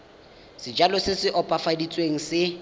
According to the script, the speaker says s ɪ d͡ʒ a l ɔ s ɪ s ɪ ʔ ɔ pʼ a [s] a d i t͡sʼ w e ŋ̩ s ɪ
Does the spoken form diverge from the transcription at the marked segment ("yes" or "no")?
yes